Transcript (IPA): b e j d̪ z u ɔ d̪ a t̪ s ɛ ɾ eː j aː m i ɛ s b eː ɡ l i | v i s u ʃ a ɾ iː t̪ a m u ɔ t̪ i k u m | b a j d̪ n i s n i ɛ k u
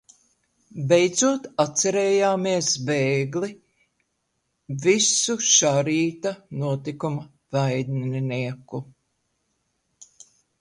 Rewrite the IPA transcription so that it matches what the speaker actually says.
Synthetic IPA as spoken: b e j d̪ z u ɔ t̪ a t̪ s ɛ ɾ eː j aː m i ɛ s b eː ɡ l i | v i s u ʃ a ɾ iː t̪ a n u ɔ t̪ i k u m | v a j d̪ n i n i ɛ k u